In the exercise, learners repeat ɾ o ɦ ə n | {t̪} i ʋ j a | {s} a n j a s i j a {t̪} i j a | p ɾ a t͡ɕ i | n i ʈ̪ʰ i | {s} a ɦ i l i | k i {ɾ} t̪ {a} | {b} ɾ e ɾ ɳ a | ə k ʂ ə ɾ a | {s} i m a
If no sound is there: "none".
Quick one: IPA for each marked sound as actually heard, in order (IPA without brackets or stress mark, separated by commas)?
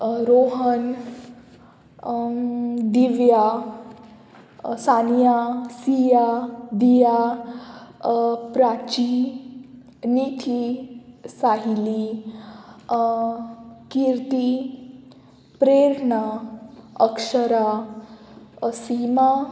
d̪, s, d̪, s, ɾ, i, p, s